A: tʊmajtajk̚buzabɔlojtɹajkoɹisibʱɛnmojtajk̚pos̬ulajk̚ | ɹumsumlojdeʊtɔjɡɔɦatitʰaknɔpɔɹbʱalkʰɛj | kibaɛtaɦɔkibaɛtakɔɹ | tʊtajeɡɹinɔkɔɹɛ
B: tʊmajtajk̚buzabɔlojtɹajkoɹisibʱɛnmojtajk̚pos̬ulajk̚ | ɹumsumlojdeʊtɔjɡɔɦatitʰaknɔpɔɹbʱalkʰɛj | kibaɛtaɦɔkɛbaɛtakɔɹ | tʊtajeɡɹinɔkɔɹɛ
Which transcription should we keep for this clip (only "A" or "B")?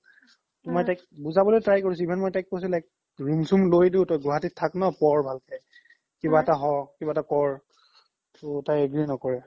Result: A